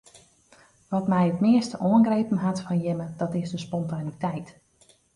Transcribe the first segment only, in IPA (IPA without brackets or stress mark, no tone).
ʋ